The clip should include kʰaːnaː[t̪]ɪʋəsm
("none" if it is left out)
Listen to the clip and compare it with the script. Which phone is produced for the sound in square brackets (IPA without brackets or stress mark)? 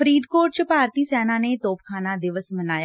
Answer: d̪